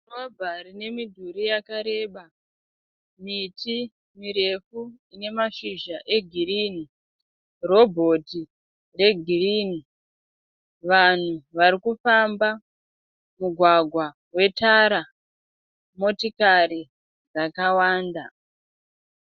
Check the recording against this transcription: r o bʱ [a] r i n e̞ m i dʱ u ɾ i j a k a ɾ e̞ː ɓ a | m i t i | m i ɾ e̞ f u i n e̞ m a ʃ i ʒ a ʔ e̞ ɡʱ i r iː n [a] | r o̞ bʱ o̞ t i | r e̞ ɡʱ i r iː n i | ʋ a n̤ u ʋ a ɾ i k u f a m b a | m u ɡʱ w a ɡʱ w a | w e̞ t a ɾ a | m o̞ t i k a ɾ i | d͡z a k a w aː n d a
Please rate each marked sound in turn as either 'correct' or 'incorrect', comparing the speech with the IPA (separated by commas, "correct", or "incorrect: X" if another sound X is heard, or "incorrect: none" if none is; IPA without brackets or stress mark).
correct, incorrect: i